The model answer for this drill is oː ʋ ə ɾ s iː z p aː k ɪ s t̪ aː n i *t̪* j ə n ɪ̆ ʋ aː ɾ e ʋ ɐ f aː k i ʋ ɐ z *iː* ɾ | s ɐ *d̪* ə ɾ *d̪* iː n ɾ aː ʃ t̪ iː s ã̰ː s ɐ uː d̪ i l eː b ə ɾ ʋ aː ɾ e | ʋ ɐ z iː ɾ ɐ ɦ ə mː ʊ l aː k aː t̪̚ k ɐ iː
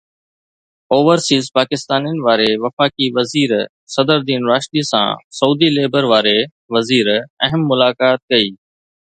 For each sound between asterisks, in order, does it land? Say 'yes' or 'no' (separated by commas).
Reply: no, yes, yes, yes